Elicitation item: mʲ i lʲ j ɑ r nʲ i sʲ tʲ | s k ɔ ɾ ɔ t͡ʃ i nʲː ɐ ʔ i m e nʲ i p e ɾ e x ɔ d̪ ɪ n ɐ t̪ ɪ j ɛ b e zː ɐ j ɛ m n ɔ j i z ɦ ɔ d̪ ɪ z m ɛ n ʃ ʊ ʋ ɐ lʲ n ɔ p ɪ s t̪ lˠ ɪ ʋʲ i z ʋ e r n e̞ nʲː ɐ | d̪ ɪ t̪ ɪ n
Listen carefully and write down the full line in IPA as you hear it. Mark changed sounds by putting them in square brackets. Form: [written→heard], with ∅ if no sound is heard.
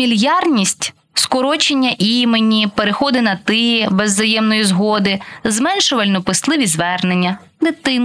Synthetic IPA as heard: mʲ i lʲ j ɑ r nʲ i sʲ tʲ | s k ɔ ɾ ɔ t͡ʃ [i→e] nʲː ɐ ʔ i m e nʲ i p e ɾ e x ɔ d̪ ɪ n ɐ t̪ ɪ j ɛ b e zː ɐ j ɛ m n ɔ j i z ɦ ɔ d̪ ɪ z m ɛ n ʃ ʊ ʋ ɐ lʲ n ɔ p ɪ s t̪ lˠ ɪ ʋʲ i z ʋ [e→ɛ] r n e̞ nʲː ɐ | d̪ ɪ t̪ ɪ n